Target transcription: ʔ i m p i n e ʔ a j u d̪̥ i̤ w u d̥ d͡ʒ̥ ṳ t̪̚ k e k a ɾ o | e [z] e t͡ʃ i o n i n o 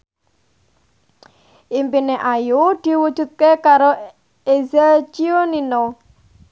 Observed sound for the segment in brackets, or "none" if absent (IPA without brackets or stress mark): z